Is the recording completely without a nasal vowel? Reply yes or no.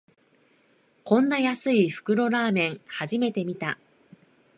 no